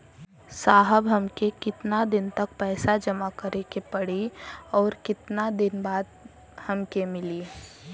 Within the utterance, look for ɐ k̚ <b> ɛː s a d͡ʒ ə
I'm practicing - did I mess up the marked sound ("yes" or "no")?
yes